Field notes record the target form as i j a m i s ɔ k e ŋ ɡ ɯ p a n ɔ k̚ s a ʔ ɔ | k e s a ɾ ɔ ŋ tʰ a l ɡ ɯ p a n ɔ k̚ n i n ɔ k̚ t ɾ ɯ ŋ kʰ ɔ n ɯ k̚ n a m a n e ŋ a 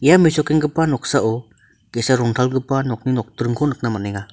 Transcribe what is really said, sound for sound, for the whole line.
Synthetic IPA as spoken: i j a m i s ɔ k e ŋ ɡ ɯ p a n ɔ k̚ s a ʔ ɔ | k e s a ɾ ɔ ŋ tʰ a l ɡ ɯ p a n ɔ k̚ n i n ɔ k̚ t ɾ ɯ ŋ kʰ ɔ n ɯ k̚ n a m a n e ŋ a